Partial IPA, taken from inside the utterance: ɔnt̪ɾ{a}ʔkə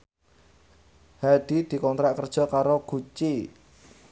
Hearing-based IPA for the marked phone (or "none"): a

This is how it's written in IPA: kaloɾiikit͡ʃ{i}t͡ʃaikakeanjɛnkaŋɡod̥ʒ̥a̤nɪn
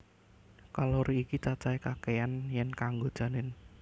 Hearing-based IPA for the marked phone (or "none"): a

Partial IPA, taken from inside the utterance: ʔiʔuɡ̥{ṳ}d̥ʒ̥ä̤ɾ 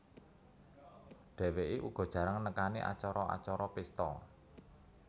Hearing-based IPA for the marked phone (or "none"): ɔ̤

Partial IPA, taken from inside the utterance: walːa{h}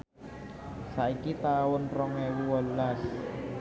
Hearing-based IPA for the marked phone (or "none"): s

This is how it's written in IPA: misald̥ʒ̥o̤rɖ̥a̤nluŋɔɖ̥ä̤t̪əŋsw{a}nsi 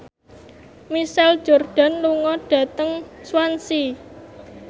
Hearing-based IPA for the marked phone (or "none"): a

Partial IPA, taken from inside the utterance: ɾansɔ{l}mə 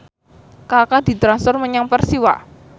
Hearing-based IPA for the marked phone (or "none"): r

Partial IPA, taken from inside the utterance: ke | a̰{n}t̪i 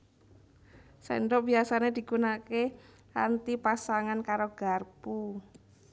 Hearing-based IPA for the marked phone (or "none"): n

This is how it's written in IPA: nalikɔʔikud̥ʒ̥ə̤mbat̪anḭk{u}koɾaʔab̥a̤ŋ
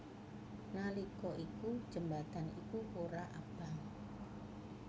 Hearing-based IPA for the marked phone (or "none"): u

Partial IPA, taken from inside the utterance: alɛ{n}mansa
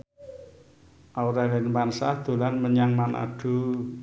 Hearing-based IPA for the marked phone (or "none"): n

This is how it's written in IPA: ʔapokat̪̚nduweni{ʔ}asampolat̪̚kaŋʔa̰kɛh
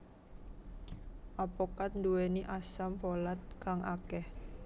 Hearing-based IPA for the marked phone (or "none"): ʔ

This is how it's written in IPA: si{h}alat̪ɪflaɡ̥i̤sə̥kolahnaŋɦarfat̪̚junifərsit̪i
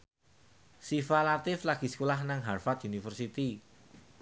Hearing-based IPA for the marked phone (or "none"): f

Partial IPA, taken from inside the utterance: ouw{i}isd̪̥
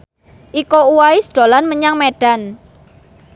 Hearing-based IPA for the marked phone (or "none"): a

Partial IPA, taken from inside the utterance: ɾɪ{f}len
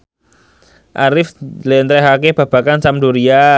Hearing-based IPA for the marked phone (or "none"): f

